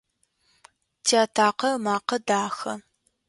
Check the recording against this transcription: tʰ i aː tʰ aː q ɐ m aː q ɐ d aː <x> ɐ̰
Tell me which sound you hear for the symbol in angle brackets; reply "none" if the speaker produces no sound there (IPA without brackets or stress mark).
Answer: x